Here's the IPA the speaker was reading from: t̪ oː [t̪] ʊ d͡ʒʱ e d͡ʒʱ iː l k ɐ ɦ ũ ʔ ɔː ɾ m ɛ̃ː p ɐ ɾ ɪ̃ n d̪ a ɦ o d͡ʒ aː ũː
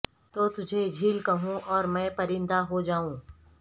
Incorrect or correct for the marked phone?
correct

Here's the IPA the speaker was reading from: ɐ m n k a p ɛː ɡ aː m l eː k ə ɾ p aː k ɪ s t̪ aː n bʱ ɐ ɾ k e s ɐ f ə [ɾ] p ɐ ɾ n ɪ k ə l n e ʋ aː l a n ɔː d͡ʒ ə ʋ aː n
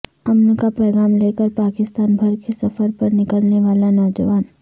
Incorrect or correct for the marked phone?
correct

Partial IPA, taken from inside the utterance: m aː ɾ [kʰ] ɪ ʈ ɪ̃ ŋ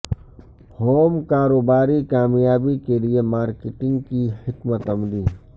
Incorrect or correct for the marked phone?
incorrect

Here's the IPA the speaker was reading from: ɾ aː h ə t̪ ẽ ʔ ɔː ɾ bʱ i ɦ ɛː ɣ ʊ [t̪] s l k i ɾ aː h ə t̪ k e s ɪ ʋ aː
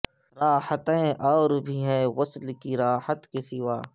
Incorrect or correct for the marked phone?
incorrect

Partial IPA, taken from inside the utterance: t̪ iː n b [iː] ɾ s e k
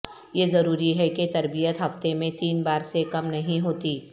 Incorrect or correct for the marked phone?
incorrect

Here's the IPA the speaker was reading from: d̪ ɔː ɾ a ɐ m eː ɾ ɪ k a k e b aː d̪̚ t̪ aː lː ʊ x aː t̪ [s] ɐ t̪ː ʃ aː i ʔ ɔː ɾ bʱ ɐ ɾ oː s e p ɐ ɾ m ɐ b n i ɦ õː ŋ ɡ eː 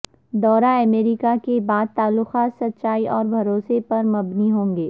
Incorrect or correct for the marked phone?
correct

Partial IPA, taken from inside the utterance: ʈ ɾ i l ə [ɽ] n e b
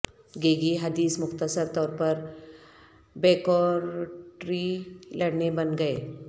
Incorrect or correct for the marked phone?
correct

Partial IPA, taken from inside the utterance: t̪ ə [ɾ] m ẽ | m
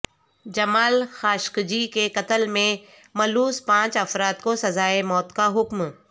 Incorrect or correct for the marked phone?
incorrect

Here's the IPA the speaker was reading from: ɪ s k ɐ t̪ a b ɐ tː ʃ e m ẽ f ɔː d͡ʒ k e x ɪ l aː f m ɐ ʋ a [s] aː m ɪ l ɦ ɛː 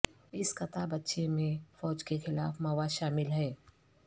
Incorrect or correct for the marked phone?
incorrect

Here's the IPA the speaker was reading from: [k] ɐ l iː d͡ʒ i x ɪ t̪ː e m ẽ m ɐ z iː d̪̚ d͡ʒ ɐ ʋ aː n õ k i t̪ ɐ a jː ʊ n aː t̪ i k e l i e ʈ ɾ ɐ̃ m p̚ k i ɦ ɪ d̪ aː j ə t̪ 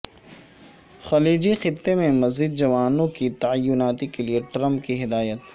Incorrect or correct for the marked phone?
incorrect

